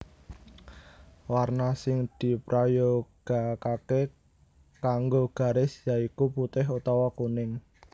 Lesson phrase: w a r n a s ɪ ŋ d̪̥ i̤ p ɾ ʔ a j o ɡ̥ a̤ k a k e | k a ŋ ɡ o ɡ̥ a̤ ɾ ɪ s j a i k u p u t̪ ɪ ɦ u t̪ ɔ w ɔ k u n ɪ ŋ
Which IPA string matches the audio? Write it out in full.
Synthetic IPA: w a r n a s ɪ ŋ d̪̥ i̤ p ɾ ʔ a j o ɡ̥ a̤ k a k e | k a ŋ ɡ o ɡ̥ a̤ ɾ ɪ s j a i k u p u t̪ ɪ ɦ u t̪ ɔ w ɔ k u n ɪ ŋ